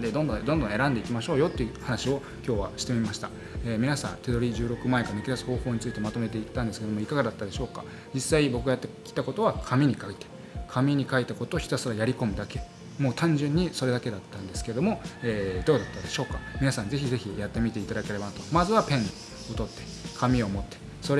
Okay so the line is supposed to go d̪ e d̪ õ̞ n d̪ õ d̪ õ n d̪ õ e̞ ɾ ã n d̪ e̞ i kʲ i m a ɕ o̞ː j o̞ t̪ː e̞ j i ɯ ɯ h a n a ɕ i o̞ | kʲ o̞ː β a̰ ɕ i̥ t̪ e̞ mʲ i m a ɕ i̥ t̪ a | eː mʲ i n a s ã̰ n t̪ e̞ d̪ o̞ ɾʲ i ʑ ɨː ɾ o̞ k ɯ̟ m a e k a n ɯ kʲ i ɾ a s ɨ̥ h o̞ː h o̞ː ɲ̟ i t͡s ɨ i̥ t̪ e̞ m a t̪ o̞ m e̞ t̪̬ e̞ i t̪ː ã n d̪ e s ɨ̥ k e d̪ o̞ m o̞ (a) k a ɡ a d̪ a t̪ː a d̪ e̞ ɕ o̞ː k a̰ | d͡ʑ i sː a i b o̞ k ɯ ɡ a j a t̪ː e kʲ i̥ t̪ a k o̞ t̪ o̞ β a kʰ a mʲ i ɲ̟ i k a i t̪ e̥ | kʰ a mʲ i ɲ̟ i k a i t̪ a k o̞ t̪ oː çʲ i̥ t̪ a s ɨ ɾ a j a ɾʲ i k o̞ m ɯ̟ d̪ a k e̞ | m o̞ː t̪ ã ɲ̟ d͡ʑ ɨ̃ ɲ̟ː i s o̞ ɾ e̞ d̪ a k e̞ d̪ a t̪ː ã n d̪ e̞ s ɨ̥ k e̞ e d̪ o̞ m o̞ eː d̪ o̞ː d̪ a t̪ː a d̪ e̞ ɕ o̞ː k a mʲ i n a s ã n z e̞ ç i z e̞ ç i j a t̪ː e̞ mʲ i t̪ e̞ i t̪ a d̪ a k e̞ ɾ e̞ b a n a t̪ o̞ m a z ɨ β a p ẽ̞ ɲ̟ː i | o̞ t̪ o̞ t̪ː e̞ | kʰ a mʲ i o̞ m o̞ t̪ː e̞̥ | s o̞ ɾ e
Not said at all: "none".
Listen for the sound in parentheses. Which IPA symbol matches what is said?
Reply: i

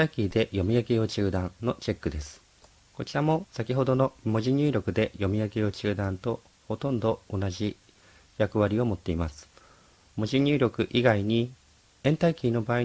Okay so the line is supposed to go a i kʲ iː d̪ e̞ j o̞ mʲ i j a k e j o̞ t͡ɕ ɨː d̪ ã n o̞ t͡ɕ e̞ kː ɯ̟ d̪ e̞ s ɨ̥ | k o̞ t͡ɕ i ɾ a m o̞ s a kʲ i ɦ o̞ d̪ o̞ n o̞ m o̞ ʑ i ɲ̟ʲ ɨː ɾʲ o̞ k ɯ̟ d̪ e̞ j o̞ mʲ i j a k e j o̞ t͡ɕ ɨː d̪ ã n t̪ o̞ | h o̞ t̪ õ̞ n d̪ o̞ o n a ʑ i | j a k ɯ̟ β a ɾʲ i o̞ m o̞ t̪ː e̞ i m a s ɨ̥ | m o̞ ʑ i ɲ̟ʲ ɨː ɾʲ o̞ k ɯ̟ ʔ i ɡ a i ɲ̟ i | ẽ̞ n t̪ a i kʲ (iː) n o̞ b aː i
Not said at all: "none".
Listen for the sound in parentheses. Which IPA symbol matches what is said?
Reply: iː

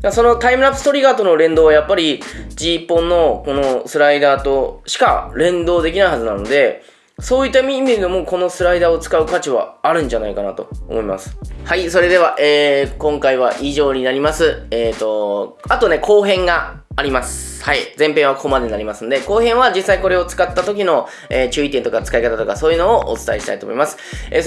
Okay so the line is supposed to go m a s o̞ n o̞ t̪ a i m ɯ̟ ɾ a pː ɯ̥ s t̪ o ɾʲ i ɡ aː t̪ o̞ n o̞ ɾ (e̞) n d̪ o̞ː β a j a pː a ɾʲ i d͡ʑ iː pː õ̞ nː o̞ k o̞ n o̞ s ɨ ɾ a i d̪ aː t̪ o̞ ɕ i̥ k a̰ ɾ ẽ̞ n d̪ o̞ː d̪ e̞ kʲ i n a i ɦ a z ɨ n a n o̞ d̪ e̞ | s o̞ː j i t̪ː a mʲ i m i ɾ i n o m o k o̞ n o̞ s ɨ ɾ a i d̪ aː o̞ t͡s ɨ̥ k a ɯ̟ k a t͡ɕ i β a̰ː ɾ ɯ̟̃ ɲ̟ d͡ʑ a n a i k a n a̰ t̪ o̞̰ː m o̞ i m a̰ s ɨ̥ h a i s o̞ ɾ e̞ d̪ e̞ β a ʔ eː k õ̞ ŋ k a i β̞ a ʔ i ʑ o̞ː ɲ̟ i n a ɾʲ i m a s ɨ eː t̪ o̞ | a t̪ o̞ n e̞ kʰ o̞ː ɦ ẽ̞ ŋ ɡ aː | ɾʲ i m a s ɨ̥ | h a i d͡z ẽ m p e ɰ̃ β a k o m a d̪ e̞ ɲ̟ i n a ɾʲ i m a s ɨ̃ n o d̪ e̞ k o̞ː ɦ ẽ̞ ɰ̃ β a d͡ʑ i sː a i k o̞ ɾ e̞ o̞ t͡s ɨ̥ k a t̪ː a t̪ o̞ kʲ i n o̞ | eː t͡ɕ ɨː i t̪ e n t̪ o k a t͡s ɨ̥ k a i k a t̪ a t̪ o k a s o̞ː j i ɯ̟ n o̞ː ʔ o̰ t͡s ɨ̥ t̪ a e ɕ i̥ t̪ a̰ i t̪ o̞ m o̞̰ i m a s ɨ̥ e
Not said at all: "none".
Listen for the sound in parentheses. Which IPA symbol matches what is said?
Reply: ẽ̞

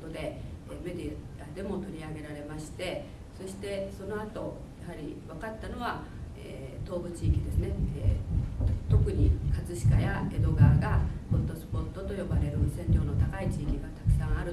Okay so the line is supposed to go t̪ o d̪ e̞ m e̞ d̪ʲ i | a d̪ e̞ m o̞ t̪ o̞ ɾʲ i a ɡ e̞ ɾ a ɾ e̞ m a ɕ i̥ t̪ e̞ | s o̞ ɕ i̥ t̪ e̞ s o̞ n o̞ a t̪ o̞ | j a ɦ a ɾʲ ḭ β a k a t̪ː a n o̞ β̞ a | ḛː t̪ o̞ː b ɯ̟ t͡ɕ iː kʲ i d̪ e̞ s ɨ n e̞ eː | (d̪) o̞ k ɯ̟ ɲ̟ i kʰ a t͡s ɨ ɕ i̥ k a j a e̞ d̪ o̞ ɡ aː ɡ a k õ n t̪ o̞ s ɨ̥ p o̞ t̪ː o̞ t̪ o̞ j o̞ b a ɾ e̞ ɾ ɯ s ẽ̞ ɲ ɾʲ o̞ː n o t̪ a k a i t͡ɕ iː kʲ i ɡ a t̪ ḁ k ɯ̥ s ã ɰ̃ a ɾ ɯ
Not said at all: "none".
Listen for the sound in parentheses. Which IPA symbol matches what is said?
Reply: t̪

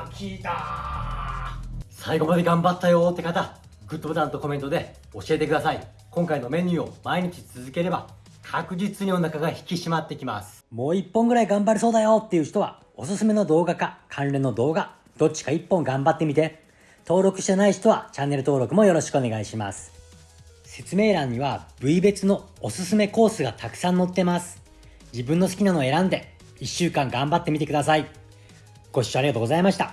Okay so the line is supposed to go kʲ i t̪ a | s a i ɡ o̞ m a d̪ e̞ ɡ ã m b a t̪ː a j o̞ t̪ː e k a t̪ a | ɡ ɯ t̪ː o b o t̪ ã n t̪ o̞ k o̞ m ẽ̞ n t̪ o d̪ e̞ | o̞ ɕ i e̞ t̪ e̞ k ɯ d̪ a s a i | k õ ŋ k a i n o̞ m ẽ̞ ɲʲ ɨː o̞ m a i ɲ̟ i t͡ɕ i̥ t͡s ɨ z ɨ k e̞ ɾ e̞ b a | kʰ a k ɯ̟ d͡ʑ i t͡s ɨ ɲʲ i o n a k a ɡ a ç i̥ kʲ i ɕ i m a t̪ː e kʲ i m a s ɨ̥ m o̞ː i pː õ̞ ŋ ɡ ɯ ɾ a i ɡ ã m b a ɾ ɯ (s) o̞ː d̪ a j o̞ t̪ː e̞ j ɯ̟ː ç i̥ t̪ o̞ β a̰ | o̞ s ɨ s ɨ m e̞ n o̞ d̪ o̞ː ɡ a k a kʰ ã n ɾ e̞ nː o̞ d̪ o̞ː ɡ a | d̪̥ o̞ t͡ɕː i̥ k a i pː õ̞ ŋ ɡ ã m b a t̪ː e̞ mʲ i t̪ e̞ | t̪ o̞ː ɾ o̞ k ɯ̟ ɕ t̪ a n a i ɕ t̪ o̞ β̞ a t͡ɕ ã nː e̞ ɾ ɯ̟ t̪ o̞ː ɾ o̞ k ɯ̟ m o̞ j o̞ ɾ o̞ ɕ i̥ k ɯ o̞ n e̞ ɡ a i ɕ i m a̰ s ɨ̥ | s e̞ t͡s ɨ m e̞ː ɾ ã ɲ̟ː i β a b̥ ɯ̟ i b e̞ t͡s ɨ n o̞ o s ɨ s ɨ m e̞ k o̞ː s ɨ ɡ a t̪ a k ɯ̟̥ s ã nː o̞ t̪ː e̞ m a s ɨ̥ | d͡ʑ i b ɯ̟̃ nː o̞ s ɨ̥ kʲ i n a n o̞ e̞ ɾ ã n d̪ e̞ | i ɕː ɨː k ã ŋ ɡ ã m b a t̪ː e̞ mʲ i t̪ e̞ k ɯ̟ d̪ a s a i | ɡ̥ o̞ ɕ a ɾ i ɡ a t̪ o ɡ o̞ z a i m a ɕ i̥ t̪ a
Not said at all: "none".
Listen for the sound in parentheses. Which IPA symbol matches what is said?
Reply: s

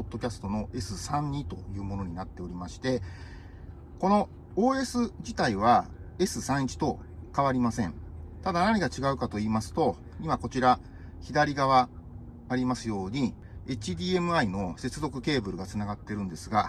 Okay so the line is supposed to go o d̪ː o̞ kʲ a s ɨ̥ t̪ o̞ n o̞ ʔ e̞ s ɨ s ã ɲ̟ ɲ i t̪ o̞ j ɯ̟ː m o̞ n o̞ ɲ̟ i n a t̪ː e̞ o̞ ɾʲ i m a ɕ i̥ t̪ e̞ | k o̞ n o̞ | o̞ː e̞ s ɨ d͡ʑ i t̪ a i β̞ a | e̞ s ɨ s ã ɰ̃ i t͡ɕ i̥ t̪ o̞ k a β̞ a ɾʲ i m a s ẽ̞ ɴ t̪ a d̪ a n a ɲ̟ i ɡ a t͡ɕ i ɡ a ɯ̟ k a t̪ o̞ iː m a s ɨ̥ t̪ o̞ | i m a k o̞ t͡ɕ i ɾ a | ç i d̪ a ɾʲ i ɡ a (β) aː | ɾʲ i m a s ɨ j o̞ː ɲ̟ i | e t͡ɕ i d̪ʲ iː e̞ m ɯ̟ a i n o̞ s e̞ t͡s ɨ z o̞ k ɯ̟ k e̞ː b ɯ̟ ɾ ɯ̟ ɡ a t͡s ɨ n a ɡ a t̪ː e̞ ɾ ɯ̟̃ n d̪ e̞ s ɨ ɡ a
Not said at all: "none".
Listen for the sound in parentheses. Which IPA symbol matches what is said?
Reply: β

